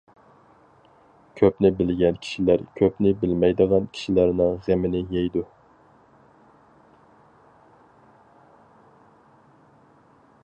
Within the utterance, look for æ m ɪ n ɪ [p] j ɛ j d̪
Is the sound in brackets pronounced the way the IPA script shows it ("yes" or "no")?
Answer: no